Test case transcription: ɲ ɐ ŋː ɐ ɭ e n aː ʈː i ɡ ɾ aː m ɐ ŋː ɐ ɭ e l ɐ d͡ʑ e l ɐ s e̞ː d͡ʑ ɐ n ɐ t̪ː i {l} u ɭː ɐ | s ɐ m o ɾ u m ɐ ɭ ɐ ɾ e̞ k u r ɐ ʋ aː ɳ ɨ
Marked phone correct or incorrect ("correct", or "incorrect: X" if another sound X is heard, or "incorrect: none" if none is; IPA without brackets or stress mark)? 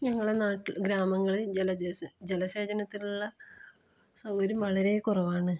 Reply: correct